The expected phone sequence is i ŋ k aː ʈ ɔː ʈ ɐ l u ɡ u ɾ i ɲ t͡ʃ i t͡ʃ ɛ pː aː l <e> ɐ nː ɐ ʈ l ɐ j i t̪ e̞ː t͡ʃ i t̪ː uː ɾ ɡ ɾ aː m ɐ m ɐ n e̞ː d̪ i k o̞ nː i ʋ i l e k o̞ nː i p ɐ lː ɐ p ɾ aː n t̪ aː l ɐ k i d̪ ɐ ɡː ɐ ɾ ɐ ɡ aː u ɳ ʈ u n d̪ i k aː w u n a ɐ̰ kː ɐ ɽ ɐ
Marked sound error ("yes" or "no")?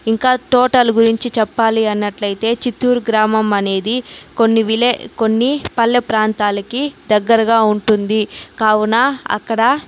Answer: yes